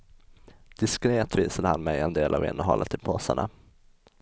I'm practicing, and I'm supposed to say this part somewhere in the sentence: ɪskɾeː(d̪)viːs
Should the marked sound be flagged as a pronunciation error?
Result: yes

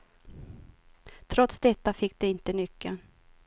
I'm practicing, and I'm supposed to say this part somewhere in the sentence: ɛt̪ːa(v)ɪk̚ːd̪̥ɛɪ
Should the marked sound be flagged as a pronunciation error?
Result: yes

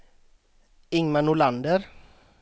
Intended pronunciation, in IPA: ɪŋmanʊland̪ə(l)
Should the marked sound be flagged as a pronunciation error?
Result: yes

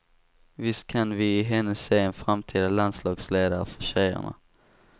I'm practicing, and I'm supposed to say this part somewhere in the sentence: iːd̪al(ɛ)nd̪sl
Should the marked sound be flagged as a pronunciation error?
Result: yes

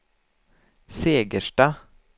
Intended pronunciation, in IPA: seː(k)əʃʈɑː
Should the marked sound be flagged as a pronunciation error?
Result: yes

